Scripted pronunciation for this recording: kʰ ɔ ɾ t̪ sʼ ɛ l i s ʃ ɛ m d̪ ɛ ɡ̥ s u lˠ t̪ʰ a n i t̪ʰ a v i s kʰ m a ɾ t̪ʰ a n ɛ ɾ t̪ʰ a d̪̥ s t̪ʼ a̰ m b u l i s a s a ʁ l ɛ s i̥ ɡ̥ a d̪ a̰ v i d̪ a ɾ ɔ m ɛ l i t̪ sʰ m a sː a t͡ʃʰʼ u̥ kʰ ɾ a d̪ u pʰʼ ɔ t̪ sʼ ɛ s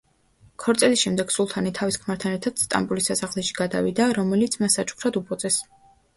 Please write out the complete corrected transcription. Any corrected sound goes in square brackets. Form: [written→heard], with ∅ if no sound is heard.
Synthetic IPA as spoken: kʰ ɔ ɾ t̪ sʼ ɛ l i s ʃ ɛ m d̪ ɛ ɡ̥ s u lˠ t̪ʰ a n i t̪ʰ a v i s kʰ m a ɾ t̪ʰ a n ɛ ɾ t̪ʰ a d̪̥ s t̪ʼ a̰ m b u l i s a s a ʁ l ɛ [s→ʃ] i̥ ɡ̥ a d̪ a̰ v i d̪ a ɾ ɔ m ɛ l i t̪ sʰ m a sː a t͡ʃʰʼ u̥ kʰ ɾ a d̪ u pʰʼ ɔ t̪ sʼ ɛ s